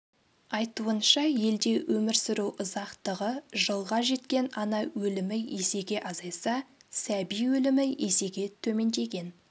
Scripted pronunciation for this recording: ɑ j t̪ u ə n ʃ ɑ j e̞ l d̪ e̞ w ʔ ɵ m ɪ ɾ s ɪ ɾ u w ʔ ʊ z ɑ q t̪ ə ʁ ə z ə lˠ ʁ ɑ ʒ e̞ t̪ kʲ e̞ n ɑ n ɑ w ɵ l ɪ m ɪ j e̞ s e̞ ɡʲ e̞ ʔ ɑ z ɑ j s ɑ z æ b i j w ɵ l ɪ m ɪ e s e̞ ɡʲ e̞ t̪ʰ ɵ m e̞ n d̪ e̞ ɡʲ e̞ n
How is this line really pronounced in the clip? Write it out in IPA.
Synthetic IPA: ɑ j t̪ u ə n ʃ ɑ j e̞ l d̪ e̞ w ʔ ɵ m ɪ ɾ s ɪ ɾ u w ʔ ʊ z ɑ q t̪ ə ʁ ə ʒ ə lˠ ʁ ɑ ʒ e̞ t̪ kʲ e̞ n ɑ n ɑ w ɵ l ɪ m ɪ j e̞ s e̞ ɡʲ e̞ ʔ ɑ z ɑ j s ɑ s æ b i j w ɵ l ɪ m ɪ e s e̞ ɡʲ e̞ t̪ʰ ɵ m e̞ n d̪ e̞ ɡʲ e̞ n